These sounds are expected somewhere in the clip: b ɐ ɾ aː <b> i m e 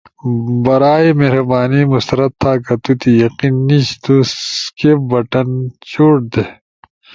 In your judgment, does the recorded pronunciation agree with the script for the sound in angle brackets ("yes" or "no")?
no